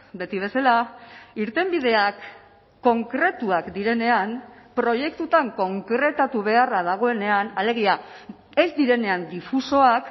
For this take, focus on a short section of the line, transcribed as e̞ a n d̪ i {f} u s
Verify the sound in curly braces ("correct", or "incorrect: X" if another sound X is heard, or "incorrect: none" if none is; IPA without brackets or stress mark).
correct